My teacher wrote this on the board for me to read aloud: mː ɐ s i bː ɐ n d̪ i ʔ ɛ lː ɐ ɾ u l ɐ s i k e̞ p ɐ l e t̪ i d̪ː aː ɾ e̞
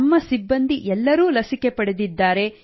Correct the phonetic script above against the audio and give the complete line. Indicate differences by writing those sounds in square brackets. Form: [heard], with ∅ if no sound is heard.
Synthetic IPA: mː ɐ s i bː ɐ n d̪ i ʔ ɛ lː ɐ ɾ [uː] l ɐ s i k e̞ p ɐ [ɽ] e [d̪] i d̪ː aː ɾ e̞